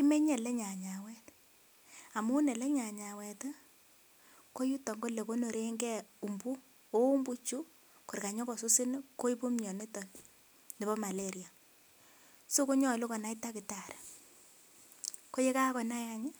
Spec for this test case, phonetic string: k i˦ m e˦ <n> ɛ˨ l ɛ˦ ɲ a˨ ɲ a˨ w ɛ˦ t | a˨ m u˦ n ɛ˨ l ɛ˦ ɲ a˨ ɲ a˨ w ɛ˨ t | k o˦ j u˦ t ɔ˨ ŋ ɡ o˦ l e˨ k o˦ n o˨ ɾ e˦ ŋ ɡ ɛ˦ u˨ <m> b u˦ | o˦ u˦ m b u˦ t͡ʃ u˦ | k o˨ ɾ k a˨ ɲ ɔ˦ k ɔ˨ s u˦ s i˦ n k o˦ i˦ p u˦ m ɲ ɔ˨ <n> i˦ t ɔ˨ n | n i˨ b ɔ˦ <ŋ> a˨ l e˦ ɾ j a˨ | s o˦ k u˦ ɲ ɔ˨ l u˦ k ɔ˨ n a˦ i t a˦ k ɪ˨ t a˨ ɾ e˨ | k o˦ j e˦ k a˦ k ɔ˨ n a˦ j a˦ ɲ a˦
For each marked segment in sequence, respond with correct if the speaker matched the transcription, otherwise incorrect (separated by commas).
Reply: incorrect, correct, correct, incorrect